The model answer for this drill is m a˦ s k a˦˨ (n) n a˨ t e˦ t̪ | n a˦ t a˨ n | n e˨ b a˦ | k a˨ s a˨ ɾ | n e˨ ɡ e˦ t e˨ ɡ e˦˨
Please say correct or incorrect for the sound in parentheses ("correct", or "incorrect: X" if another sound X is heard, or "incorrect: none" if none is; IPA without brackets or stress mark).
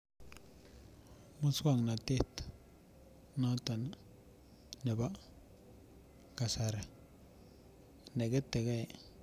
incorrect: ŋ